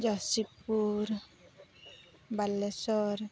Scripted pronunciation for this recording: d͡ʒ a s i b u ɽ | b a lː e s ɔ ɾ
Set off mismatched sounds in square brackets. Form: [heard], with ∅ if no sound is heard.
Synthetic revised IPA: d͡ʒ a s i [p] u [ɾ] | b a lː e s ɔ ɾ